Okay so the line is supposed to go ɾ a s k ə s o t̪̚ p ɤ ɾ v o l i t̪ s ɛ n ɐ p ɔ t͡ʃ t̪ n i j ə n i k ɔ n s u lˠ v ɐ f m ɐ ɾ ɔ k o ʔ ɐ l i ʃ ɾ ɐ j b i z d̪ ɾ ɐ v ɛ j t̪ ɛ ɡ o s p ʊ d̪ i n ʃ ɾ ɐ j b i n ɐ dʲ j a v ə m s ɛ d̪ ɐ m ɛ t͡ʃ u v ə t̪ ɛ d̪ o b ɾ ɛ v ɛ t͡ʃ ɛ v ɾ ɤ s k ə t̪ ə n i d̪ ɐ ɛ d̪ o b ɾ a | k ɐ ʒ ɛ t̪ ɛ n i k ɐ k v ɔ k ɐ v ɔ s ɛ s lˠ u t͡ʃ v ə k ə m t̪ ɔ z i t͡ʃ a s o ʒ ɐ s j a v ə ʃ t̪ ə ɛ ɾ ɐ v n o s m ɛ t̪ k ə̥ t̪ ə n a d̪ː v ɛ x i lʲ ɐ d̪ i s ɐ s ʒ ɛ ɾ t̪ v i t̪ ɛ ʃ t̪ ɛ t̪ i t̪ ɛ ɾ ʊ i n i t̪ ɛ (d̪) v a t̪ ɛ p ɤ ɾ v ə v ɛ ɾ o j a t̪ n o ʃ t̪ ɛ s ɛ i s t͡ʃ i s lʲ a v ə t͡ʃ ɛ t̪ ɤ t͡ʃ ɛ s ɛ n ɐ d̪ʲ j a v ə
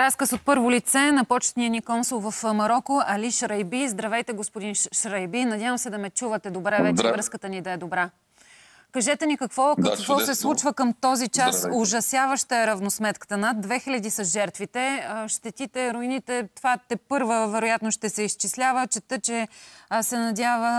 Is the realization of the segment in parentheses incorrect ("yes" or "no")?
yes